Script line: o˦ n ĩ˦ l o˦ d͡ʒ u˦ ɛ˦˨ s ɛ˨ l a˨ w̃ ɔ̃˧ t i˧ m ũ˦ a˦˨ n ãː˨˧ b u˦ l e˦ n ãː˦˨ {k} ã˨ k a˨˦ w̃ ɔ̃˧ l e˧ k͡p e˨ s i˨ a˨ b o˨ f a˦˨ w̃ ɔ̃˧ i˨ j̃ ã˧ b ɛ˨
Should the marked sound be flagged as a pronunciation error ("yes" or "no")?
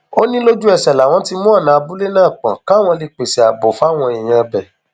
yes